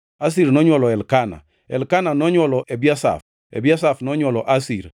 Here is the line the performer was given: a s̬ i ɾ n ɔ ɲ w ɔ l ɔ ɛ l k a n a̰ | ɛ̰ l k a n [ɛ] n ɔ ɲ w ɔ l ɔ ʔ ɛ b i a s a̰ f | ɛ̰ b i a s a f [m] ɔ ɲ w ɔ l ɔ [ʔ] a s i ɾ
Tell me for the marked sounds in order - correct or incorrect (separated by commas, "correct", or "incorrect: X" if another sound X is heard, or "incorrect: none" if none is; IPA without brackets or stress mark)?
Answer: incorrect: a, incorrect: n, correct